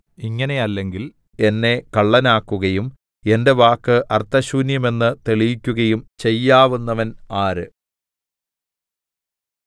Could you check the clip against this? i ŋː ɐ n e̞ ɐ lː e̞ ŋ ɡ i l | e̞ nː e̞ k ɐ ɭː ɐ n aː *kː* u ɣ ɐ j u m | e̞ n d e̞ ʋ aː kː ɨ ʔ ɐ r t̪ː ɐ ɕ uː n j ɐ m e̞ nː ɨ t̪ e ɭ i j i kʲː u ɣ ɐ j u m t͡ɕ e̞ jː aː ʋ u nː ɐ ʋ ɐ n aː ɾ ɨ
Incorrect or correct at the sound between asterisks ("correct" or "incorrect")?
correct